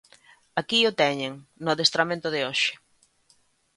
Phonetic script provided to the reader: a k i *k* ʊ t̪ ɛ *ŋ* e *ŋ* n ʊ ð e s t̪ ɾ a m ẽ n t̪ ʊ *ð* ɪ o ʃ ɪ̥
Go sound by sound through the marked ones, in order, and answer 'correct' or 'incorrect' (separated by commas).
incorrect, incorrect, correct, correct